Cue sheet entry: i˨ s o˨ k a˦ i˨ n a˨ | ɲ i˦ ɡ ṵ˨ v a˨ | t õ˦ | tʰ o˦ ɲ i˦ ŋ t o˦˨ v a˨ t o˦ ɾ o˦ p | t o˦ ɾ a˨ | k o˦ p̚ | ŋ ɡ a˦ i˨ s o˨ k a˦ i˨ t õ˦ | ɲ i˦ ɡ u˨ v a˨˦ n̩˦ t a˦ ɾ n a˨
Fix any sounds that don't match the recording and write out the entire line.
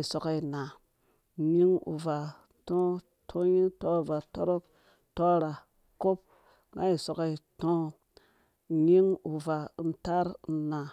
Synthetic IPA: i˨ s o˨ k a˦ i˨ n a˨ | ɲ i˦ ŋ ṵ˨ v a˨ | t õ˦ | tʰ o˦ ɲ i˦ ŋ t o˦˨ v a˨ t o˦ ɾ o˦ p | t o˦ ɾ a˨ | k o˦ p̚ | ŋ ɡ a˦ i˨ s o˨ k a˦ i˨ t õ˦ | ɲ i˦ ŋ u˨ v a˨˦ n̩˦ t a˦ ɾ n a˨